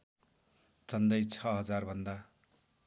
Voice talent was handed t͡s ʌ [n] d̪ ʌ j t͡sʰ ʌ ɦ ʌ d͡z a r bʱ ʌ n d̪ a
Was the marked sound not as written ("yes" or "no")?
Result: no